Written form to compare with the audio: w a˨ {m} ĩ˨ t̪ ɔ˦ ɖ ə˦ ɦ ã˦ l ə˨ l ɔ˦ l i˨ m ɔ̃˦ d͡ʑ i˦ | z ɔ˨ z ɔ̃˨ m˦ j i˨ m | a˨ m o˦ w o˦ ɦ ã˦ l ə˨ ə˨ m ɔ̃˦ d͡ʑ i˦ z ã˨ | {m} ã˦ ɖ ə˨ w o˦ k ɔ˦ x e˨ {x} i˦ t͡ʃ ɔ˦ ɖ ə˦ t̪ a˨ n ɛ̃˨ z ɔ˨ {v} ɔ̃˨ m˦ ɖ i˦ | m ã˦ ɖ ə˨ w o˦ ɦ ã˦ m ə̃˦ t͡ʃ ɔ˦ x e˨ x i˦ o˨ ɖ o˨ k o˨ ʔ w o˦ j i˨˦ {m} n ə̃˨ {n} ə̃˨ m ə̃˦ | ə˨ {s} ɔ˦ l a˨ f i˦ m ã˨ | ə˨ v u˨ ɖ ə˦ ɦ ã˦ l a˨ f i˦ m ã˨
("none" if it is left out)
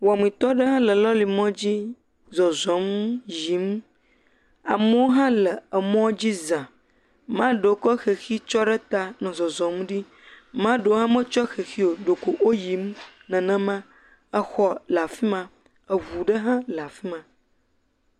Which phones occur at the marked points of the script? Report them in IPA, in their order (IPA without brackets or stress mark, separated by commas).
m, m, x, z, m, n, x